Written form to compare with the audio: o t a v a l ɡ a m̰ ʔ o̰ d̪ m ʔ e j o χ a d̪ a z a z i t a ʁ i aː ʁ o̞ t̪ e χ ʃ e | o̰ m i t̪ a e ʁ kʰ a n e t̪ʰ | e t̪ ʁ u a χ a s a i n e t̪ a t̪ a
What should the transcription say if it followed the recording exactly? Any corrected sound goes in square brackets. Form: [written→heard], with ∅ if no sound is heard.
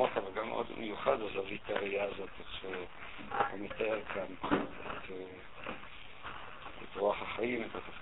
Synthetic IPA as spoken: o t a v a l ɡ a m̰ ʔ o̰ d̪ m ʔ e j [o→u] χ a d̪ a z a [z→v] i t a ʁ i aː [ʁ→z] o̞ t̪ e χ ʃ e | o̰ m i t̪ a e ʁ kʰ a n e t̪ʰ | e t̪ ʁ u a χ a [s→χ] a i [n→m] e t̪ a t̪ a